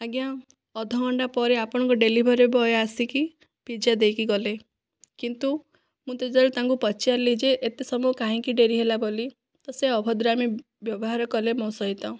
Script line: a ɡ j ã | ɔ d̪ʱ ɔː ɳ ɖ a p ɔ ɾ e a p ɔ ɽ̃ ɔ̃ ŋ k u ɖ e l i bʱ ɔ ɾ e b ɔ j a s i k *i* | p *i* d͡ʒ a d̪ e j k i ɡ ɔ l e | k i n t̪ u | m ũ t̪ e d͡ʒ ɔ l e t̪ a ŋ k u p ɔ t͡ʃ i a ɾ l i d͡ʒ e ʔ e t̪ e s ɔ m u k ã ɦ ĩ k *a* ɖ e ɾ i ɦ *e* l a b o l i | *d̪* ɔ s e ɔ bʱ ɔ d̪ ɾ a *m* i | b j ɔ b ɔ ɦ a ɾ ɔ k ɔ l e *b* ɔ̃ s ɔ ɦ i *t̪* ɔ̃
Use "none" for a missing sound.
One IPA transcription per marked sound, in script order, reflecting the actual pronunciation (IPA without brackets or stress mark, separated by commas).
i, i, i, e, t̪, m, m, t̪